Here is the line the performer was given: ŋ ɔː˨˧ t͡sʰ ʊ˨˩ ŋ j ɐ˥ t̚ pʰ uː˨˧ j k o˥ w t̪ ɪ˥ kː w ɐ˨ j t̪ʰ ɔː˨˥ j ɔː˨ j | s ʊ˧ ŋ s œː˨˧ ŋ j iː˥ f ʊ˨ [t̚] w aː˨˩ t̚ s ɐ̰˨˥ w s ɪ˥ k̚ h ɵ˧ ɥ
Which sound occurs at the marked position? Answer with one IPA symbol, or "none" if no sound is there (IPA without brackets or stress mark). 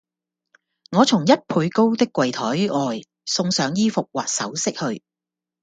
k̚